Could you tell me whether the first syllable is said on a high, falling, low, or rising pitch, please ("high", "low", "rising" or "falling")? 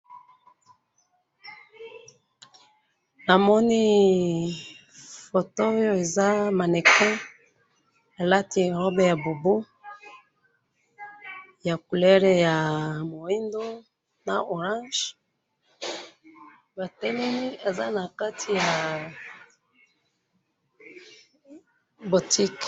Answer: low